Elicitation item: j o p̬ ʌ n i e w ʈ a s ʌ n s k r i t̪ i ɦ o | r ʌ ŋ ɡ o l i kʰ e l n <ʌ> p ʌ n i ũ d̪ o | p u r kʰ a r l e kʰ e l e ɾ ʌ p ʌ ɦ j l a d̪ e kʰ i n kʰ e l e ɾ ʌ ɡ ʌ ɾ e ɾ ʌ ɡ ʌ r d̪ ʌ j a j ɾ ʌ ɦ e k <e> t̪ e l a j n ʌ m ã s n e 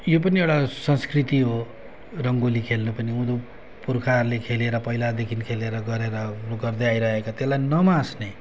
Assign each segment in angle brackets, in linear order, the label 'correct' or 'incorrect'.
correct, incorrect

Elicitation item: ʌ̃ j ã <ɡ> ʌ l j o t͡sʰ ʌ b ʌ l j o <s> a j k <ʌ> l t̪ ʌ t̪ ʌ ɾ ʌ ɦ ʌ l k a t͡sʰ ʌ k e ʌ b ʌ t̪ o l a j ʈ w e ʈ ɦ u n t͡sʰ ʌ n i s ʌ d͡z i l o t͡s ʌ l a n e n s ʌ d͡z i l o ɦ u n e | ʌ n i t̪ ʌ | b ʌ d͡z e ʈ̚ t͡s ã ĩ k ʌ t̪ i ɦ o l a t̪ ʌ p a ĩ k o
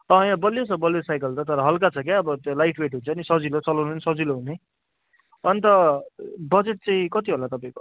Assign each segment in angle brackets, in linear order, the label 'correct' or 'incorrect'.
incorrect, correct, correct

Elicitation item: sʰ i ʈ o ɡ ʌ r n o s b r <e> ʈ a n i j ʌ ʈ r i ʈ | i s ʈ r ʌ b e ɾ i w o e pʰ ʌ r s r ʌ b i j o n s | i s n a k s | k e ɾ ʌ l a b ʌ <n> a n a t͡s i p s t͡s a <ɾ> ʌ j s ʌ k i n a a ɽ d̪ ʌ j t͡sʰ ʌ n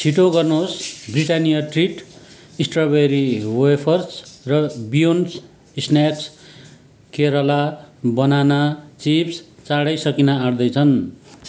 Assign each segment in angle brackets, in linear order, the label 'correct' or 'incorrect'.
incorrect, correct, incorrect

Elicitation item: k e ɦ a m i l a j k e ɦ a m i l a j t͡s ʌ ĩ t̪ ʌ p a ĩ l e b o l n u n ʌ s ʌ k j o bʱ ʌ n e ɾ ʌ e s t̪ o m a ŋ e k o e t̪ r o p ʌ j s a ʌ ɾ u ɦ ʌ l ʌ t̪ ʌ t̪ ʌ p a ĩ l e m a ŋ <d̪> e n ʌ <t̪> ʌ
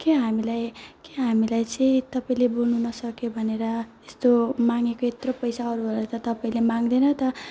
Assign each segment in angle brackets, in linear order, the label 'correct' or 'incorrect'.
correct, correct

